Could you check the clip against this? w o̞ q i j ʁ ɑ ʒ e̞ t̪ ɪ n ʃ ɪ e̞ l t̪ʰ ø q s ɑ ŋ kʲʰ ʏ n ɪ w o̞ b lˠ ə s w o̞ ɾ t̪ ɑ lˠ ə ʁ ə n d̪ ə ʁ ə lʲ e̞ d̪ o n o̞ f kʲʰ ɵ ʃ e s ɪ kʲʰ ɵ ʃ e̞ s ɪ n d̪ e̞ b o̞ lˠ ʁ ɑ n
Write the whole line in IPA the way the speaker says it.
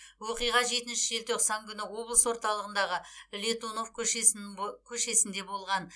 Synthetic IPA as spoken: w o̞ q i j ʁ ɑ ʒ e̞ t̪ ɪ n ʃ ɪ e̞ l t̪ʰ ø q s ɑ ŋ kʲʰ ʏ n ɪ w o̞ b lˠ ə s w o̞ ɾ t̪ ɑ lˠ ə ʁ ə n d̪ ɑ ʁ ə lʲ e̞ t̪ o n o̞ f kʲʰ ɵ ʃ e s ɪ kʲʰ ɵ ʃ e̞ s ɪ n d̪ e̞ b o̞ lˠ ʁ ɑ n